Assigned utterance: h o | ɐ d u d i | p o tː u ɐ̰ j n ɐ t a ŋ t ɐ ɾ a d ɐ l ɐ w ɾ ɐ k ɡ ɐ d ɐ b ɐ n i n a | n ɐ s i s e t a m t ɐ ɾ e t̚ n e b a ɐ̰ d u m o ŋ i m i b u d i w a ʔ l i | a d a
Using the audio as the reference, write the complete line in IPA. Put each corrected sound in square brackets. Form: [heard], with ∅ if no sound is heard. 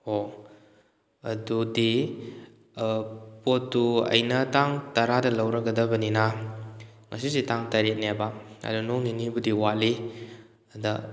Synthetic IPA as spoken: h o | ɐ d u d i | p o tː u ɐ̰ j n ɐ t a ŋ t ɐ ɾ a d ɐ l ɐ w ɾ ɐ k ɡ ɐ d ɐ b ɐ n i n a | [ŋ] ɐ s i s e t a [ŋ] t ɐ ɾ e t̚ n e b a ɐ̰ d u [n] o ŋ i [n] i b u d i w a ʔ l i | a d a